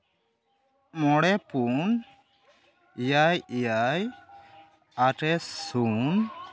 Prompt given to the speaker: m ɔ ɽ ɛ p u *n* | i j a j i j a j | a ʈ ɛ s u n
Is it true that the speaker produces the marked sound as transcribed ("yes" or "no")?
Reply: yes